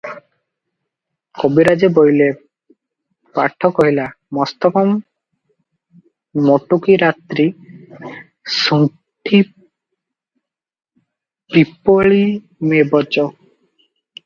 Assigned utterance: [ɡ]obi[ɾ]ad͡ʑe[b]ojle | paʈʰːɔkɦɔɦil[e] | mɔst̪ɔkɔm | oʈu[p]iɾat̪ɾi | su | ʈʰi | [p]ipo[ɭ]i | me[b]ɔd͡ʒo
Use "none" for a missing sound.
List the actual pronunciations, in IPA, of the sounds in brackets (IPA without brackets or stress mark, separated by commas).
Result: k, ɾ, b, a, k, p, ɭ, b